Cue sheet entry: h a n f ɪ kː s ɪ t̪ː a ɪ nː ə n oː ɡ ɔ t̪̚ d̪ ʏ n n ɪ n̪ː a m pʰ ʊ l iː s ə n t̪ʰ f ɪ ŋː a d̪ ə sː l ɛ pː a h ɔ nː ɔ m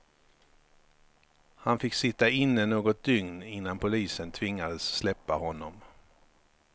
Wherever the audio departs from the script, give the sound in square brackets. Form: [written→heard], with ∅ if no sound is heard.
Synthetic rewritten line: h a n f ɪ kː s ɪ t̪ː a ɪ nː ə n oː ɡ ɔ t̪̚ d̪ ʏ [n→ŋ] n ɪ n̪ː a [m→n] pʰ ʊ l iː s ə n t̪ʰ [f→v] ɪ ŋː a d̪ ə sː l ɛ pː a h ɔ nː ɔ m